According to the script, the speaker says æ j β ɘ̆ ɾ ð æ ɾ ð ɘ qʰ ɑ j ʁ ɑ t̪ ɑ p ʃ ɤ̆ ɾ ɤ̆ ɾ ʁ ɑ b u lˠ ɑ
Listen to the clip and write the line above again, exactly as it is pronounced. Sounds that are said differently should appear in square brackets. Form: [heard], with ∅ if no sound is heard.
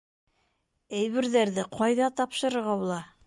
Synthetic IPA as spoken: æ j β ɘ̆ ɾ ð æ ɾ ð ɘ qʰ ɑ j [ð] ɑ t̪ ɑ p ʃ ɤ̆ ɾ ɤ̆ ɾ ʁ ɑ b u lˠ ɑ

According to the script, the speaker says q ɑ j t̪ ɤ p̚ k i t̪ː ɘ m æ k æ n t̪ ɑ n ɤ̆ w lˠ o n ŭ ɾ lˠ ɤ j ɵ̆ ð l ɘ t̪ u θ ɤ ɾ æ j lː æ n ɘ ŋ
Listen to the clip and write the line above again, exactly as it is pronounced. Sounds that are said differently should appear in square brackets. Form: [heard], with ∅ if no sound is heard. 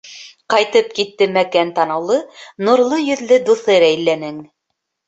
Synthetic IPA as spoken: q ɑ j t̪ ɤ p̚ k i t̪ː ɘ m æ k æ n t̪ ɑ n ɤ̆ w lˠ [ɤ] n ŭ ɾ lˠ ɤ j ɵ̆ ð l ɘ [d̪] u θ ɤ ɾ æ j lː æ n ɘ ŋ

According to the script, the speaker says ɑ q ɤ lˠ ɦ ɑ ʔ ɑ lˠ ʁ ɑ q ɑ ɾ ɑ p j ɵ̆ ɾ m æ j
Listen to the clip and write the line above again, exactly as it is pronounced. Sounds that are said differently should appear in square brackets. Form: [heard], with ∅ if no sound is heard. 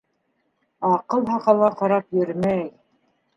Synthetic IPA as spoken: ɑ q ɤ lˠ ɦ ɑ [q] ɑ lˠ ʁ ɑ q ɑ ɾ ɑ p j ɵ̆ ɾ m æ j

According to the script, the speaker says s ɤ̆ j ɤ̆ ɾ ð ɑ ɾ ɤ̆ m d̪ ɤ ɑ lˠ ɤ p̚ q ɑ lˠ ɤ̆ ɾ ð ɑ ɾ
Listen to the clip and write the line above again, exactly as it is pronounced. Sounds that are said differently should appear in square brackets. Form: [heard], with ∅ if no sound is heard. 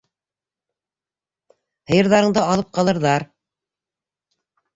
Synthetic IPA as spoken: [h] ɤ̆ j ɤ̆ ɾ ð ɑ ɾ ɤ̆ [ɴ] d̪ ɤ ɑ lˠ ɤ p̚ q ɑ lˠ ɤ̆ ɾ ð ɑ ɾ

